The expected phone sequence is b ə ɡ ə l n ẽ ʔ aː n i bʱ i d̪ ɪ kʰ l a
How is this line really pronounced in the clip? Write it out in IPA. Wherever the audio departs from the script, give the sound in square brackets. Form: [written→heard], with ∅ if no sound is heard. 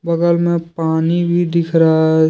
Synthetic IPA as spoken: b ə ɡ ə l [n→m] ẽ [ʔ→p] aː n i bʱ i d̪ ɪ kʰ [l→ɾ] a